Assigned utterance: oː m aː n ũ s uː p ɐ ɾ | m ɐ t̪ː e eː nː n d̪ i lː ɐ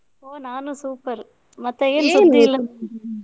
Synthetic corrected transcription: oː n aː n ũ s uː p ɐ ɾ | m ɐ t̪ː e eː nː n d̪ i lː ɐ